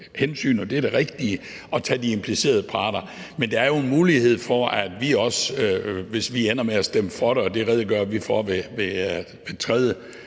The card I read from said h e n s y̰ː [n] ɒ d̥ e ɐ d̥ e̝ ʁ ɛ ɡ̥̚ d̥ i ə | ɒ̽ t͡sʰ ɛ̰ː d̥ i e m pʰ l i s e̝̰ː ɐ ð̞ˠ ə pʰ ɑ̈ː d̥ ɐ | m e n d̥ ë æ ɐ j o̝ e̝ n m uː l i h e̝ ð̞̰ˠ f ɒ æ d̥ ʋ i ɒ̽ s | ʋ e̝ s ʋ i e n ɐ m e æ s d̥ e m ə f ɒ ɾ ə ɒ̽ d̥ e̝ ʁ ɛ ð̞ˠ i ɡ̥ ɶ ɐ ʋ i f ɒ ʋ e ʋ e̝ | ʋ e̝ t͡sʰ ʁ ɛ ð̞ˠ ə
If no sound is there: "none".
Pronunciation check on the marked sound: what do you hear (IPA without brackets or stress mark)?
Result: n